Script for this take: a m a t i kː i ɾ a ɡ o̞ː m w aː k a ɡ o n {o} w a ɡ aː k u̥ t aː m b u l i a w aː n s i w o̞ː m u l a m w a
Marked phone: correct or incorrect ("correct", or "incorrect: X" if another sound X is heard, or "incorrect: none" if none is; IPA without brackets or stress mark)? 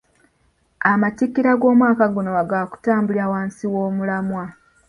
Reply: correct